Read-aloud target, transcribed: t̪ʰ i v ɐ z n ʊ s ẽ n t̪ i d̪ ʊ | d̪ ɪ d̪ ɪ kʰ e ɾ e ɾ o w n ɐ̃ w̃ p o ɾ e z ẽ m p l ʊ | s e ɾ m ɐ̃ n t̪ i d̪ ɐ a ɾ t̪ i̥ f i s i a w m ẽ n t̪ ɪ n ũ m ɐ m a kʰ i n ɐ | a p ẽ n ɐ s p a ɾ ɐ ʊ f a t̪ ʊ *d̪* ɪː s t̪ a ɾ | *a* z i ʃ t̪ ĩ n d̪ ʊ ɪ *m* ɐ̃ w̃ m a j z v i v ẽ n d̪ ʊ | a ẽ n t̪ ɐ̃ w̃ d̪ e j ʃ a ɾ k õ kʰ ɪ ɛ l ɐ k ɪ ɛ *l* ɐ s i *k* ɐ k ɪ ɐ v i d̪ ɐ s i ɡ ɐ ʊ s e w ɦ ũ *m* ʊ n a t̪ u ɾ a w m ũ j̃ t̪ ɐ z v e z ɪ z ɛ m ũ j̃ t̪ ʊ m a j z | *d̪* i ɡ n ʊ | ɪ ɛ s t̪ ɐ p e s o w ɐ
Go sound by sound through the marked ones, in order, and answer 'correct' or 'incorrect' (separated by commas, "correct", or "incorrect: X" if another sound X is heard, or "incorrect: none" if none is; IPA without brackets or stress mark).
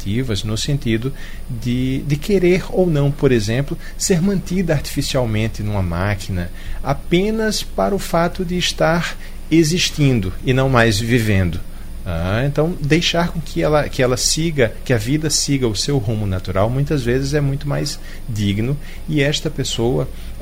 correct, incorrect: e, incorrect: n, correct, incorrect: ɡ, correct, correct